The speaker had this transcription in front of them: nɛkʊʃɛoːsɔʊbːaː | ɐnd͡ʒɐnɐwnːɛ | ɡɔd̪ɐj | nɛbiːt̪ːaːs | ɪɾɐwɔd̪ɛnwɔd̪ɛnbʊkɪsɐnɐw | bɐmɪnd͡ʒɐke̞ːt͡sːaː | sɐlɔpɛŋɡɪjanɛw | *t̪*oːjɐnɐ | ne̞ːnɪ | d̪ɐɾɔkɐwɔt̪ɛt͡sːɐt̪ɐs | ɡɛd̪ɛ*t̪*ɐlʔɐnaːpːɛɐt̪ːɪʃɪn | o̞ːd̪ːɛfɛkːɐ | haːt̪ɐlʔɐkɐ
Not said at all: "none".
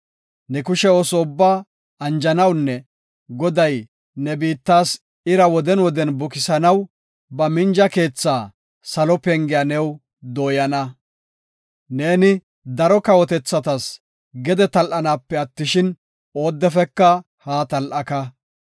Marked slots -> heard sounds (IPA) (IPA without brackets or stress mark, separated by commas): d̪, t̪